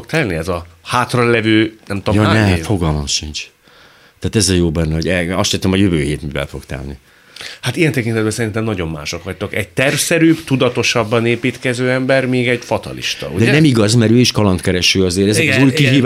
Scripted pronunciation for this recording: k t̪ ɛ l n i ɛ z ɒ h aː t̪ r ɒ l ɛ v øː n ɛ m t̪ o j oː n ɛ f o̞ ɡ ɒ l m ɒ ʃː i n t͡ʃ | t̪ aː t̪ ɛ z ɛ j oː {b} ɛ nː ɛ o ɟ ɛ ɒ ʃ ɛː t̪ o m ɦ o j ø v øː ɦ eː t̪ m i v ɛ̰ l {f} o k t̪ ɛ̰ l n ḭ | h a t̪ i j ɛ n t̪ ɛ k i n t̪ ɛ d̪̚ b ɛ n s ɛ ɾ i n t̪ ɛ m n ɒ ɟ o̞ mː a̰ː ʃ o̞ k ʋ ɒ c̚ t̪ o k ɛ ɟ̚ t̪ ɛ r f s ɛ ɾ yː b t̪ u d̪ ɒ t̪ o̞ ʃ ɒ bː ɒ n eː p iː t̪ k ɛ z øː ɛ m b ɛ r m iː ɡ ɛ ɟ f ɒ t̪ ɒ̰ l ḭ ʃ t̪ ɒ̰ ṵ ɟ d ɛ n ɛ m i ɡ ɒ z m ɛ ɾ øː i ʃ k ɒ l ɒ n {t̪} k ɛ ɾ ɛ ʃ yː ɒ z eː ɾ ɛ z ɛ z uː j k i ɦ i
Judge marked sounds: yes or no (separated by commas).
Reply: yes, yes, yes